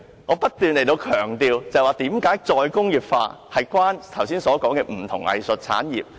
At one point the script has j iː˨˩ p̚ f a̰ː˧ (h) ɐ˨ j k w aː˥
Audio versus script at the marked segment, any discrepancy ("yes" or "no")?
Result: no